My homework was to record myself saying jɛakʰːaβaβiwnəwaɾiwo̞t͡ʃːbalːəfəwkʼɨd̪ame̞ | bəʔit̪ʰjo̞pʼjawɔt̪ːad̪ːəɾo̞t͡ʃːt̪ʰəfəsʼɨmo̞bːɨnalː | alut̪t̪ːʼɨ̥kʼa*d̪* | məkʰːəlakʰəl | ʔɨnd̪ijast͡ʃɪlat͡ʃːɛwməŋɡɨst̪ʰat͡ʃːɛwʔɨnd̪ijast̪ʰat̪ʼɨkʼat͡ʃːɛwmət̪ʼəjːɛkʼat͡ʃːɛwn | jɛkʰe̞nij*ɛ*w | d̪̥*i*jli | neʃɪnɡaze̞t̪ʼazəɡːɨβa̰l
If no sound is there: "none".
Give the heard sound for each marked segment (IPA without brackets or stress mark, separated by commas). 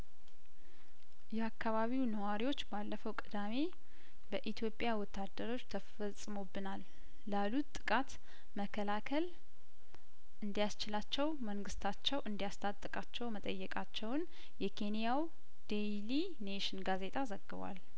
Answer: t̪, a, e